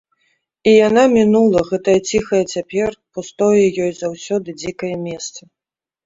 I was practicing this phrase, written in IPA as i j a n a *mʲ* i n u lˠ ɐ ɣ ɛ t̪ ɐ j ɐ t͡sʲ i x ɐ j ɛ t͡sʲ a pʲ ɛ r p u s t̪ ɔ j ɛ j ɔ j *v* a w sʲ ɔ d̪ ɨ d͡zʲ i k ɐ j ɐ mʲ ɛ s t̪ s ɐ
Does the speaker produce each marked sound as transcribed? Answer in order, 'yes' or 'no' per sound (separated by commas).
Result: yes, no